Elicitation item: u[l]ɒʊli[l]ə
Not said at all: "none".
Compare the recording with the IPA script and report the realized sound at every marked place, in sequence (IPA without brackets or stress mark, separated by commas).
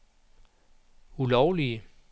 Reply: l, none